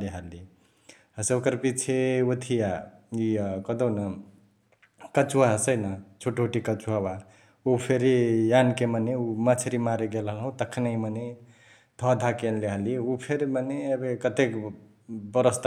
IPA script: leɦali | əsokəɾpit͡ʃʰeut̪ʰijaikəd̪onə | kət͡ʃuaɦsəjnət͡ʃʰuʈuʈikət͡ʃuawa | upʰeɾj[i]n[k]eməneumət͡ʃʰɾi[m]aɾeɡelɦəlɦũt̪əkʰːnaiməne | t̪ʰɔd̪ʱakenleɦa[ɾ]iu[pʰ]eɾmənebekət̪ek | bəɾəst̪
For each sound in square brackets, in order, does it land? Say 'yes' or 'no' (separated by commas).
no, yes, yes, no, yes